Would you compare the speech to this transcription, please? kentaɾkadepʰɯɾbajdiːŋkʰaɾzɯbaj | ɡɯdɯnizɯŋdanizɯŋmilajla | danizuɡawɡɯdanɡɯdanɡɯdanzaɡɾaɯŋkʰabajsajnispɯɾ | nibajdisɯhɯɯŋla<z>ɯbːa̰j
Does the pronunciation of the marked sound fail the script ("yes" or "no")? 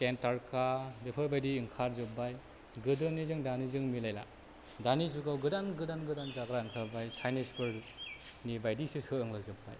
no